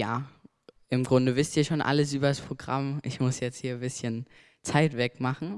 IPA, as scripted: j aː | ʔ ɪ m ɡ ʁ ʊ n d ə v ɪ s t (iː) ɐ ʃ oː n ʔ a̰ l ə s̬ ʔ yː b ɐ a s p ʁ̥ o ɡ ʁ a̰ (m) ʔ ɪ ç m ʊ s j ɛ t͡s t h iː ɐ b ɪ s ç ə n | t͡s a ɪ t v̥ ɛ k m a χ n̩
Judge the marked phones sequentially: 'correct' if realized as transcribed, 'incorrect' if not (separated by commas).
correct, correct